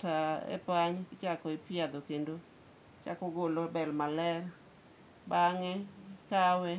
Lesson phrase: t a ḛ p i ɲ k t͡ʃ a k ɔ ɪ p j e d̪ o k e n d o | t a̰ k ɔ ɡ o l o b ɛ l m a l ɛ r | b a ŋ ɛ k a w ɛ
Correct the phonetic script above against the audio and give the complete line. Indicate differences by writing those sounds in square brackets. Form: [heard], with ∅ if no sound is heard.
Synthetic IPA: t a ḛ p [a] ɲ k t͡ʃ a k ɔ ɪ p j [a] d̪ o k e n d o | [t͡ʃ] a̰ k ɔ ɡ o l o b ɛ l m a l ɛ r | b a ŋ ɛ k a w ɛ